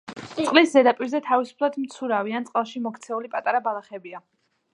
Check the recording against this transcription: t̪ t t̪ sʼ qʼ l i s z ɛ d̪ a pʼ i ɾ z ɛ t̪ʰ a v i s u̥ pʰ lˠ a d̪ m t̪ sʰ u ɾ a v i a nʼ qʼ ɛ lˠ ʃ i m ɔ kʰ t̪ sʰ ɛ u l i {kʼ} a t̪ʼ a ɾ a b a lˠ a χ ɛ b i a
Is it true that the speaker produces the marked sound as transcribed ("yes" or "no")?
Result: no